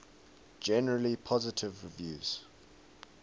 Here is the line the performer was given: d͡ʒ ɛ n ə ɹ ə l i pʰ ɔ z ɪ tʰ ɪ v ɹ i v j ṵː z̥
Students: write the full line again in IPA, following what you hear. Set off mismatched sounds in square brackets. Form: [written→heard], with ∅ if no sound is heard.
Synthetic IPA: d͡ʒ ɛ n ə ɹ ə l i pʰ ɔ z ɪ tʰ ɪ v ɹ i v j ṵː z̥